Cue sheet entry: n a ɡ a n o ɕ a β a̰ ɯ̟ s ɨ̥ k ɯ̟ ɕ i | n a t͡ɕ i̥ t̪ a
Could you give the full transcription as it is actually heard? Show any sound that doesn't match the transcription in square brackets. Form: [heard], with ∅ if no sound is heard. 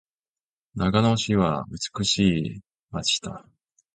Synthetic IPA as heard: n a ɡ a n o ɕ [i] β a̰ ɯ̟ [t͡s] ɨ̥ k ɯ̟ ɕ [iː] | [m] a t͡ɕ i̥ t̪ a